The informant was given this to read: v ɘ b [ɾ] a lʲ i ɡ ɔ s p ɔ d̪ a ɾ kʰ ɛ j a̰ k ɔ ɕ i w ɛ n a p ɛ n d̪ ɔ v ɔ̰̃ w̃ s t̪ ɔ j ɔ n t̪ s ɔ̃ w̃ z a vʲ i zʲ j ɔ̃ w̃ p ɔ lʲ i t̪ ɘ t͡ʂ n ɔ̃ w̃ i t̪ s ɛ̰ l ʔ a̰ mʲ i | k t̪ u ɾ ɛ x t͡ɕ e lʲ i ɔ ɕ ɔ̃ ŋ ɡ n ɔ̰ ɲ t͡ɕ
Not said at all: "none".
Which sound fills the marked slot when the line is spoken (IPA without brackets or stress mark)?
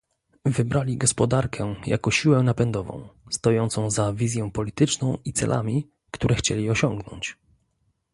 ɾ